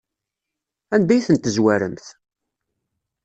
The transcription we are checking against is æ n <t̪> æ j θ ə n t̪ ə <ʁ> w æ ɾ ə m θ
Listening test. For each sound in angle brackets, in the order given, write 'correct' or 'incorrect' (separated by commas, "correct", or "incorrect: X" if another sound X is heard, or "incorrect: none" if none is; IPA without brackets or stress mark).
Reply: incorrect: d̪, incorrect: z